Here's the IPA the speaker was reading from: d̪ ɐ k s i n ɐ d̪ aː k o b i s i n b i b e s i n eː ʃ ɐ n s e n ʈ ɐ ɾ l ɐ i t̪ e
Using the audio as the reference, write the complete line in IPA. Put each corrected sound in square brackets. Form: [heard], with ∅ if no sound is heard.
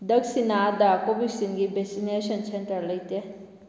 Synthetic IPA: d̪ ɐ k s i n [a] d̪ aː k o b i s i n [ɡ] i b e s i n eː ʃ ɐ n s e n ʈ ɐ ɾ l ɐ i t̪ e